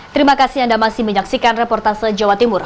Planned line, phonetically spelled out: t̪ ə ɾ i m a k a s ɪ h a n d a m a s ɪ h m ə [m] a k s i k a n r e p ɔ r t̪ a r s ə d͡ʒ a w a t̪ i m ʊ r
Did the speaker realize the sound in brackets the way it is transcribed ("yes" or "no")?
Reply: no